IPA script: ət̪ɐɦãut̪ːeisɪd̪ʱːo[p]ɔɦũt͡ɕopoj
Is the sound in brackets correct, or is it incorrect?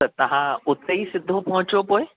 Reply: correct